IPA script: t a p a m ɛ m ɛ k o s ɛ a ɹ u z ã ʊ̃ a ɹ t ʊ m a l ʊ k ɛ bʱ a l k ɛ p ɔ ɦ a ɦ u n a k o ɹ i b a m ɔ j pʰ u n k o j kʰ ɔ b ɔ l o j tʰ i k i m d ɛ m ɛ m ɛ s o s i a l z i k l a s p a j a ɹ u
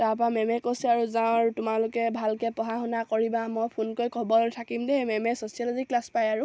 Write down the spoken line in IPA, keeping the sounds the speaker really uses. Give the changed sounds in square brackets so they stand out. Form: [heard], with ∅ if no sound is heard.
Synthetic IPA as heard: t a p a m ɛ m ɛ k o s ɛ a ɹ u z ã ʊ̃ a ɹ t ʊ m a l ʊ k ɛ bʱ a l k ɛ p ɔ ɦ a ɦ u n a k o ɹ i b a m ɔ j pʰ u n k o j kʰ ɔ b ɔ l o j tʰ [a] k i m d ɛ m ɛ m ɛ s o s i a l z i k l a s p a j a ɹ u